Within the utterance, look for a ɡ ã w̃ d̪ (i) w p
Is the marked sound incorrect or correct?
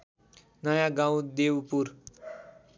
incorrect